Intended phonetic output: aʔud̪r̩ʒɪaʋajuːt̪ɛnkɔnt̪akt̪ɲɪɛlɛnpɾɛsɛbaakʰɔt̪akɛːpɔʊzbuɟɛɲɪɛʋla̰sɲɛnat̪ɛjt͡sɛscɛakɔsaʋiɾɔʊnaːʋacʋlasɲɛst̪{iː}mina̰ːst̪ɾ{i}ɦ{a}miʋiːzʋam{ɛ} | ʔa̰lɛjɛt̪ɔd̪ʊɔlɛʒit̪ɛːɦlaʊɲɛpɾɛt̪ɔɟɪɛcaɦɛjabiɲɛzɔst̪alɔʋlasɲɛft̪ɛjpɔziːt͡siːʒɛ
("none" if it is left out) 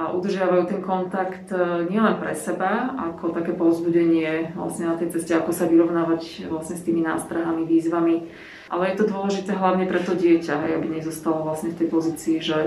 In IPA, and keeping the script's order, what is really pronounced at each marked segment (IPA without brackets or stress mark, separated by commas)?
iː, a, a, i